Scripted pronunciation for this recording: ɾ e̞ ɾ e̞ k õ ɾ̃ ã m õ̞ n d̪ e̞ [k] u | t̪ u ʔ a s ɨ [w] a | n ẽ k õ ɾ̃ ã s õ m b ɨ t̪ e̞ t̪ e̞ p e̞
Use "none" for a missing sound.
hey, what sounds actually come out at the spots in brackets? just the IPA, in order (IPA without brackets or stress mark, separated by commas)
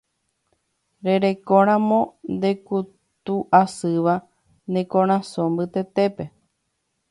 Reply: k, ʋ